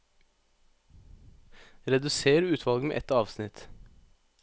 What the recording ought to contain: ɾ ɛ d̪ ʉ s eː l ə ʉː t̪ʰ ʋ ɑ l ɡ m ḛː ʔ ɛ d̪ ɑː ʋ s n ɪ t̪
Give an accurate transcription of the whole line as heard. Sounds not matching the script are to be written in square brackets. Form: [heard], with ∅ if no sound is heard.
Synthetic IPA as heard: ɾ ɛ d̪ ʉ s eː [ɾ] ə ʉː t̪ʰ ʋ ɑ l ɡ m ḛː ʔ ɛ [t̪] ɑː ʋ s n ɪ t̪